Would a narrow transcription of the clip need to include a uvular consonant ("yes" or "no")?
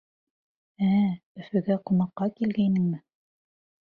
yes